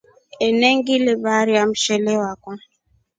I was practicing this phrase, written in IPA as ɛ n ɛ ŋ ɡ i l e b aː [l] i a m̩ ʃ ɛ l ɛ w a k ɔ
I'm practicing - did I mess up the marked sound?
yes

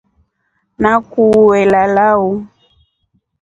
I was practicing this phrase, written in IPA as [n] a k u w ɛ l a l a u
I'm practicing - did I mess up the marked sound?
no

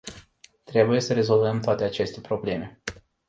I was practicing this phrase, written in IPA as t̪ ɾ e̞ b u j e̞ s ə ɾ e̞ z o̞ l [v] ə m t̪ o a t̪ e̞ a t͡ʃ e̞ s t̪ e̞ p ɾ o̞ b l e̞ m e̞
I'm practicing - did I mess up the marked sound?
no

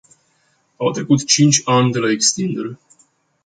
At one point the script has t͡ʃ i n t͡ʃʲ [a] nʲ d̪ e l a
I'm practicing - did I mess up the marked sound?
no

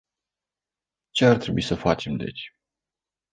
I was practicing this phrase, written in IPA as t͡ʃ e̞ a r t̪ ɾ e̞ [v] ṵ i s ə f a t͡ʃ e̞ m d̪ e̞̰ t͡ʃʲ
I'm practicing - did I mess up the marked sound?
yes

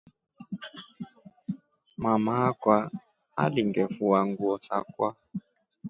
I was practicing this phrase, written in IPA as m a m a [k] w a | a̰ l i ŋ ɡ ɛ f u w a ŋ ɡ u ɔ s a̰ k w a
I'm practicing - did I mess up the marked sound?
no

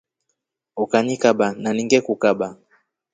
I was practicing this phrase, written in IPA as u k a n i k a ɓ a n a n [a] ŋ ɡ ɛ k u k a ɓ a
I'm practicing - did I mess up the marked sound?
yes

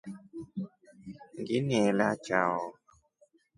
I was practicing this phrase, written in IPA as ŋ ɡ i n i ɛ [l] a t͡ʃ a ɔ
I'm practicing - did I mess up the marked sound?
no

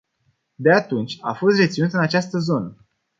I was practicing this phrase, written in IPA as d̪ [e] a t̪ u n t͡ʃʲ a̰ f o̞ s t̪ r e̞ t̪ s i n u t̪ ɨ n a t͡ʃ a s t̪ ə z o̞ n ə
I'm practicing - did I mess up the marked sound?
no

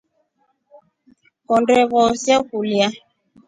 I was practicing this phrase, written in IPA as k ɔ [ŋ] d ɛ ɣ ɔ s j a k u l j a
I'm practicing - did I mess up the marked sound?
yes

